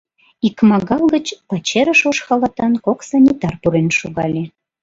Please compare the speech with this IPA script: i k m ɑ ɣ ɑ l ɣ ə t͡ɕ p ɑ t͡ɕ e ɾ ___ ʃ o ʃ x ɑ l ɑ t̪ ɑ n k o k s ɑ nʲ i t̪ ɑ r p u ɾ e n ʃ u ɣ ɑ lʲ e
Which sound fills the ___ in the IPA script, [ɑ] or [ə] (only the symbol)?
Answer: ə